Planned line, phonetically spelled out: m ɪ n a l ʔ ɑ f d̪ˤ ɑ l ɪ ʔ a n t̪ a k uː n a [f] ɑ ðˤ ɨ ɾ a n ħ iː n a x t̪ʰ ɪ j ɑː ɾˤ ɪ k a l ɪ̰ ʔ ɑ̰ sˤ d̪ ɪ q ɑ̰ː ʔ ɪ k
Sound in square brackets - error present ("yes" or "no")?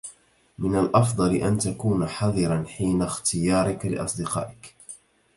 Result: yes